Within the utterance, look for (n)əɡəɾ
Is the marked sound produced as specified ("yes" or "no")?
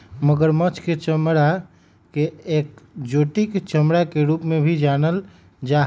no